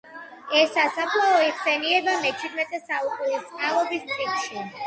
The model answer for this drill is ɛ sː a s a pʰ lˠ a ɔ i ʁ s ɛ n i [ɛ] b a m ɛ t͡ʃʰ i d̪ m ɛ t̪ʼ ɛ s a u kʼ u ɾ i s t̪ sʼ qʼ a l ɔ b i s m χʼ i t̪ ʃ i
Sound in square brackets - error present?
no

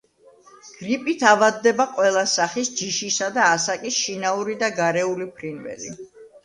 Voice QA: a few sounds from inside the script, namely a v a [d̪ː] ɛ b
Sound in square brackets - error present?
no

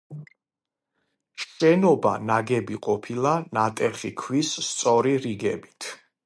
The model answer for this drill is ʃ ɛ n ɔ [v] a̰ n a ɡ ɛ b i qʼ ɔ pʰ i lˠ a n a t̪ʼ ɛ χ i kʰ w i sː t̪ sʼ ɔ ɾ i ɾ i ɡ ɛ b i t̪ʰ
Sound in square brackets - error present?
yes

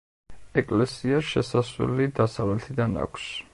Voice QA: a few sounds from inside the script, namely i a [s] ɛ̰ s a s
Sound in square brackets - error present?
yes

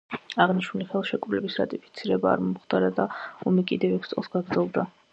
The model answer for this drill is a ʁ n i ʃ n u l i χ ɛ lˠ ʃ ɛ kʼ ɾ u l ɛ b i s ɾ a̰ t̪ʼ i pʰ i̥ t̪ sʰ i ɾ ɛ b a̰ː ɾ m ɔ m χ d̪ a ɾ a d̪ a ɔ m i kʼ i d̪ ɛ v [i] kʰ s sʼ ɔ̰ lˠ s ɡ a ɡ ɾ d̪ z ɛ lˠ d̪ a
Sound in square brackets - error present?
yes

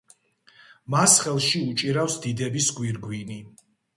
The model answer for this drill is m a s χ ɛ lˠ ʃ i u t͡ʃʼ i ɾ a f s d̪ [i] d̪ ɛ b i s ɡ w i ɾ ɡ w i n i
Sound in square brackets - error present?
no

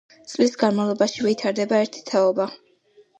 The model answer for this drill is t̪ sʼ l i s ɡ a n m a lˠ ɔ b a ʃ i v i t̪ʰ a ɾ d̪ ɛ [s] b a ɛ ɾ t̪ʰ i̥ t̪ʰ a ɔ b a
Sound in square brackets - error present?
yes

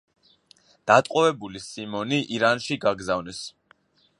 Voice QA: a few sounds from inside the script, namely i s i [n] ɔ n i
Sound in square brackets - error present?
yes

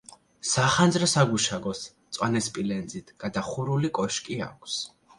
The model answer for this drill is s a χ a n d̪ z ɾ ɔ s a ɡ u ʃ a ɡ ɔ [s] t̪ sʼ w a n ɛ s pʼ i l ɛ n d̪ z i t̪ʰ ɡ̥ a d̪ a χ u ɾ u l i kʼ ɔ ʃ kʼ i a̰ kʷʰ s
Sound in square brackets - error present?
no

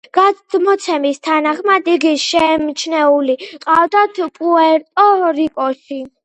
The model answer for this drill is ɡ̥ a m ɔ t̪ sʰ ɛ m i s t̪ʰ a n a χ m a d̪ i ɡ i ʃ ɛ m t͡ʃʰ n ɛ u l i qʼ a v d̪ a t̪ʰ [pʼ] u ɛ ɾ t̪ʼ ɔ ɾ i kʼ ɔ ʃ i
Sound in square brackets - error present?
no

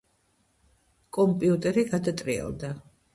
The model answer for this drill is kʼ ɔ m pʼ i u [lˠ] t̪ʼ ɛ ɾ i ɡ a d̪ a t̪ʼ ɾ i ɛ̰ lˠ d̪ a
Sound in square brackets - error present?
yes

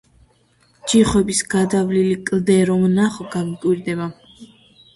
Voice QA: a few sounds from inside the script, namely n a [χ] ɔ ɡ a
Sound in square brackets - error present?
no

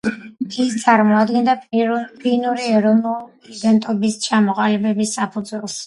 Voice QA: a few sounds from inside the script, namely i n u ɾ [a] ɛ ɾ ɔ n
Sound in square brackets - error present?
yes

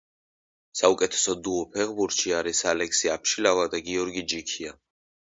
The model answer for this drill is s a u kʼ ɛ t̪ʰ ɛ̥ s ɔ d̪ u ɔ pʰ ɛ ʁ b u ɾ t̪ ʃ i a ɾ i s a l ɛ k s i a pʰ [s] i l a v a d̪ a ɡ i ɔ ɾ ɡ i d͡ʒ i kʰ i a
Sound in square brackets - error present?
yes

